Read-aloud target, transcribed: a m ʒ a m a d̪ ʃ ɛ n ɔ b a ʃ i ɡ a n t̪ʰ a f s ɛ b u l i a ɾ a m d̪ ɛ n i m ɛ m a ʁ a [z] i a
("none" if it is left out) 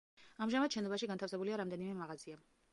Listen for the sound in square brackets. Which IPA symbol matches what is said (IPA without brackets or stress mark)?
z